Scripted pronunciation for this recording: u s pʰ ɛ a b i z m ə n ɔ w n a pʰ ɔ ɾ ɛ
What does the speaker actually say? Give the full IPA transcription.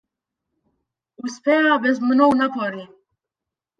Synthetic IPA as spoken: u s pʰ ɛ a b ɛ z m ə n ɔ w n a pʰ ɔ ɾ i